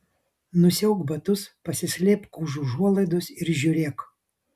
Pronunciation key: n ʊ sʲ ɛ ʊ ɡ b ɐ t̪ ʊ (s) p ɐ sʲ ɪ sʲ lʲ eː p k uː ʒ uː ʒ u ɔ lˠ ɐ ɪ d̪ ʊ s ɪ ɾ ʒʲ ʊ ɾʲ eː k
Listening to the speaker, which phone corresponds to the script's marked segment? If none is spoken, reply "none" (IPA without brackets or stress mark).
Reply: s